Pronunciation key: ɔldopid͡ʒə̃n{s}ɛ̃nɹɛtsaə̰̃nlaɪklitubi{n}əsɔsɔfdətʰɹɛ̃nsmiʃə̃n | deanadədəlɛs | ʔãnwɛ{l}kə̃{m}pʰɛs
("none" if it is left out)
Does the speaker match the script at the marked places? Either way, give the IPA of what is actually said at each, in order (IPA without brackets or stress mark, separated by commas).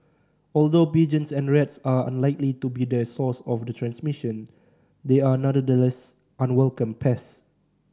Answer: s, d, l, m